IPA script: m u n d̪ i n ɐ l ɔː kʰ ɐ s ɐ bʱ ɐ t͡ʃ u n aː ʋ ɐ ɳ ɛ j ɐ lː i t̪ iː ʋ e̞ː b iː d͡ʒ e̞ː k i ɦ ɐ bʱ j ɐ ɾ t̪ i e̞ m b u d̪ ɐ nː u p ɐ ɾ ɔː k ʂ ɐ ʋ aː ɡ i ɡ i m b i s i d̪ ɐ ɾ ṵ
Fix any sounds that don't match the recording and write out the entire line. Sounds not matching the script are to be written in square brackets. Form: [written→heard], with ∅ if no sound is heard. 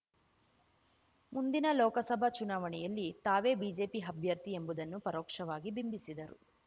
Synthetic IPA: m u n d̪ i n ɐ l ɔː [kʰ→k] ɐ s ɐ bʱ ɐ t͡ʃ u n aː ʋ ɐ ɳ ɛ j ɐ lː i t̪ [iː→aː] ʋ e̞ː b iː d͡ʒ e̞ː [k→p] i ɦ ɐ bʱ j ɐ ɾ t̪ i e̞ m b u d̪ ɐ nː u p ɐ ɾ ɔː k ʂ ɐ ʋ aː ɡ i [ɡ→b] i m b i s i d̪ ɐ ɾ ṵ

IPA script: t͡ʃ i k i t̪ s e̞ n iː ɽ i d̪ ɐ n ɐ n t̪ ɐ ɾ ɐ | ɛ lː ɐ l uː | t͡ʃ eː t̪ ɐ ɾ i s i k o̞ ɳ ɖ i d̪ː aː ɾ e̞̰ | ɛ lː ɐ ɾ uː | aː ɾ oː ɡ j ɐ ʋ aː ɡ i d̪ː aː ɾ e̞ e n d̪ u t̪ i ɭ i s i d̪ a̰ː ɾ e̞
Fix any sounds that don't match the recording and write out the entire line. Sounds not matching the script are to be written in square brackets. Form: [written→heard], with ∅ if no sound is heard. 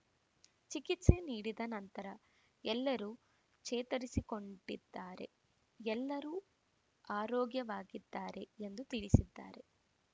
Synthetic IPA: t͡ʃ i k i t̪ s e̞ n iː ɽ i d̪ ɐ n ɐ n t̪ ɐ ɾ ɐ | ɛ lː ɐ [l→ɾ] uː | t͡ʃ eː t̪ ɐ ɾ i s i k o̞ ɳ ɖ i d̪ː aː ɾ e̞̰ | ɛ lː ɐ ɾ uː | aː ɾ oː ɡ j ɐ ʋ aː ɡ i d̪ː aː ɾ e̞ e n d̪ u t̪ i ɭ i s i [d̪→d̪ː] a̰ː ɾ e̞

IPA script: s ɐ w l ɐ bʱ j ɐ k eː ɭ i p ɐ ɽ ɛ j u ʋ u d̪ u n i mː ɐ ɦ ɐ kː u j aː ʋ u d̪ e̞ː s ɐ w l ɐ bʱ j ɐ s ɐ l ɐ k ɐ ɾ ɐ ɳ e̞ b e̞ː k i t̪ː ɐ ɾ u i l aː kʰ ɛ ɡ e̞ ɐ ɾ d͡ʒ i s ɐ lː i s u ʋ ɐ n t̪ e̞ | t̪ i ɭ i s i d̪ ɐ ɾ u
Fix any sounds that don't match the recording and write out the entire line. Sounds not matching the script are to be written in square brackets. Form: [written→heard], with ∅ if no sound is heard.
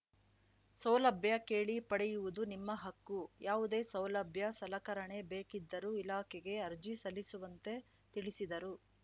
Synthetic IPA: s ɐ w l ɐ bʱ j ɐ k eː ɭ i p ɐ ɽ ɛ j u ʋ u d̪ u n i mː ɐ ɦ ɐ kː u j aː ʋ u d̪ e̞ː s ɐ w l ɐ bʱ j ɐ s ɐ l ɐ k ɐ ɾ ɐ ɳ e̞ b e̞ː k i [t̪ː→d̪ː] ɐ ɾ u i l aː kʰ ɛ ɡ e̞ ɐ ɾ d͡ʒ i s ɐ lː i s u ʋ ɐ n t̪ e̞ | t̪ i ɭ i s i d̪ ɐ ɾ u

